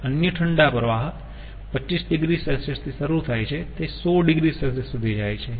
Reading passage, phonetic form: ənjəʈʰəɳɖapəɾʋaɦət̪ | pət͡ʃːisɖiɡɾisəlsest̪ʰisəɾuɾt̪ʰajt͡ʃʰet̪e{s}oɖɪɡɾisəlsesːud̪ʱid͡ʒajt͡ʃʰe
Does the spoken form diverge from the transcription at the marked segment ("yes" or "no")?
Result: no